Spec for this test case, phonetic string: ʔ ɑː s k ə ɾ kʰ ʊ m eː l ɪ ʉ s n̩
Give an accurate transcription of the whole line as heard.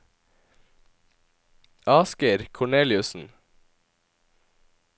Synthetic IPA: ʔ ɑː s k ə ɾ kʰ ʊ ɳ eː l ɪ ʉ s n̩